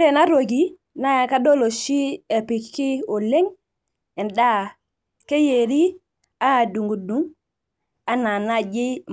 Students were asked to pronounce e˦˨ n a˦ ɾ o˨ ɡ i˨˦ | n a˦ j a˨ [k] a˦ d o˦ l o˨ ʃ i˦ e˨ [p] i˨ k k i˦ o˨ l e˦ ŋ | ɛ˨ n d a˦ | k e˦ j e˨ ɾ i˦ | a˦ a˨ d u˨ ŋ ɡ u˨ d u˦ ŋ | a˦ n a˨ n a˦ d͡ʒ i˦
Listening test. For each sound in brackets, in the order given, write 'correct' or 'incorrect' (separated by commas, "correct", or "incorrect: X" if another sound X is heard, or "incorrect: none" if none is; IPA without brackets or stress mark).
correct, correct